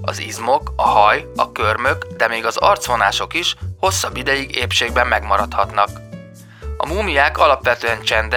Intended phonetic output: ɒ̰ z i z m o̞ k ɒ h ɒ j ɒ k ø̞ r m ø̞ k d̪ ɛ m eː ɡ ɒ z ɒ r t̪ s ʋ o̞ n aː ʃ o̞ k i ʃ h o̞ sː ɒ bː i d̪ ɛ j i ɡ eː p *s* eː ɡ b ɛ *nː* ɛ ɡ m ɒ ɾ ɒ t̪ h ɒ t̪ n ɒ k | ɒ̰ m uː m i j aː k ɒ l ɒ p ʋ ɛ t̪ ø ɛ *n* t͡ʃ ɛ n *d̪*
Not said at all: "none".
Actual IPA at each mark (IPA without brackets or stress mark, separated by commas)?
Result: ʃ, mː, n, d̪